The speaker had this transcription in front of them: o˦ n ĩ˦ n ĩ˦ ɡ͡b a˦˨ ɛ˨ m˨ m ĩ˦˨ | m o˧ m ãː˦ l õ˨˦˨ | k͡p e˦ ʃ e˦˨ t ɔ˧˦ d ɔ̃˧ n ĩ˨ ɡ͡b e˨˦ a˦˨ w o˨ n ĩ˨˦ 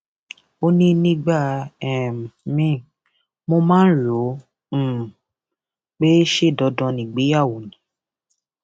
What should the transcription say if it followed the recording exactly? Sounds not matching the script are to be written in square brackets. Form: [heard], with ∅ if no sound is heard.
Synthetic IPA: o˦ n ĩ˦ n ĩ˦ ɡ͡b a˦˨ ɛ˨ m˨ m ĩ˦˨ | m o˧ m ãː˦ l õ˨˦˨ | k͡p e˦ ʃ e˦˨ [d] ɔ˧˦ d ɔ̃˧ n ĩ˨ ɡ͡b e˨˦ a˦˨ w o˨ n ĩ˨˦

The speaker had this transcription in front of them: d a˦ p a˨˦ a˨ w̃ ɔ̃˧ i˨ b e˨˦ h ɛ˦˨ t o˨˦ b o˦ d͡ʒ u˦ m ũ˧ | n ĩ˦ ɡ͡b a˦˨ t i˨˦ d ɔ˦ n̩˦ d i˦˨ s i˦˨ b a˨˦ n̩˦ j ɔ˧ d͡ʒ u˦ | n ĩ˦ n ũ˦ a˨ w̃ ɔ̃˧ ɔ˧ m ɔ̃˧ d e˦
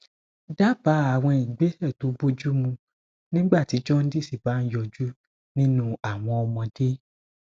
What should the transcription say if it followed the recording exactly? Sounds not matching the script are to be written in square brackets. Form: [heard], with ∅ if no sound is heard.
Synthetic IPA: d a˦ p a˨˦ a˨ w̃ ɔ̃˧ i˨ [ɡ͡b] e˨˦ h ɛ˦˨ t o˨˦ b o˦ d͡ʒ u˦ m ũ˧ | n ĩ˦ ɡ͡b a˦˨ t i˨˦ [d͡ʒ] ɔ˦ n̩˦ d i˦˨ s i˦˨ b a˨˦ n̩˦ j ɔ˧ d͡ʒ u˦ | n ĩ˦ n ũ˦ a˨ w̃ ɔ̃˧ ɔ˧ m ɔ̃˧ d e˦

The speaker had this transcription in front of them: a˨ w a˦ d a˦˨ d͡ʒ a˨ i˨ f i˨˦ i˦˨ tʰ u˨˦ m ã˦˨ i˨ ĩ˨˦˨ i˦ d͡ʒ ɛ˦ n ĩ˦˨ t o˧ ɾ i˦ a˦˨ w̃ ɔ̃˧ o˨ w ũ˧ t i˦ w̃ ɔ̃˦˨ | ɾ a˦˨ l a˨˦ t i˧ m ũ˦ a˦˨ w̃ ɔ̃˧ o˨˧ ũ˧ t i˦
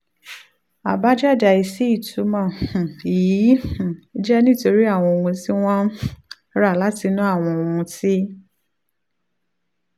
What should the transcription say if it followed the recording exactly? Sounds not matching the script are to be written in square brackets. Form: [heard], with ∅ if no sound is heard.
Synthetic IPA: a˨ [b] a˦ [d͡ʒ] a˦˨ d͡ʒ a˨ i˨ [s] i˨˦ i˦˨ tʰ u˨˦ m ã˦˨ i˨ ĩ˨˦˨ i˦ d͡ʒ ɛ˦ n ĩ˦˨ t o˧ ɾ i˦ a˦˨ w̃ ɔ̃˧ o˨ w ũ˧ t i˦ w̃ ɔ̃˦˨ | ɾ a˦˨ l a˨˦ t i˧ [n] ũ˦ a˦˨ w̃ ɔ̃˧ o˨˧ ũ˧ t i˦

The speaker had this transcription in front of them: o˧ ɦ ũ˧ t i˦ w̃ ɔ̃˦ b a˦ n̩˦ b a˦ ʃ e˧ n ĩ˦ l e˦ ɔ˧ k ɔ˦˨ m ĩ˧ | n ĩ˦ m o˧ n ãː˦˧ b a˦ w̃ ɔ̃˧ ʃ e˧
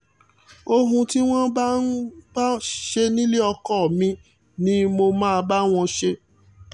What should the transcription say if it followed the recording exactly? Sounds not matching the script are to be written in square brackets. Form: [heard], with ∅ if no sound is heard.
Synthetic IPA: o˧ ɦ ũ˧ t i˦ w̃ ɔ̃˦ b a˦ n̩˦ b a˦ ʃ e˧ n ĩ˦ l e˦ ɔ˧ k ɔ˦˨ m ĩ˧ | n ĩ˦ m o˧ [m] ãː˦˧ b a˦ w̃ ɔ̃˧ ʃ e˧

